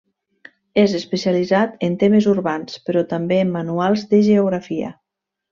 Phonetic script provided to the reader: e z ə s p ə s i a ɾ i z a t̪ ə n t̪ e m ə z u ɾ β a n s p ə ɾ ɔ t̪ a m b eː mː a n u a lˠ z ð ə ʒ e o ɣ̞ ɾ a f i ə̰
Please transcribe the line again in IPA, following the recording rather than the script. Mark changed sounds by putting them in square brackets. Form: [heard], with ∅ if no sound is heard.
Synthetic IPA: e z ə s p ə s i a [l] i z a t̪ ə n t̪ e m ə z u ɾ β a n s p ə ɾ ɔ t̪ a m b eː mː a n u a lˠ z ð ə ʒ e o ɣ̞ ɾ a f i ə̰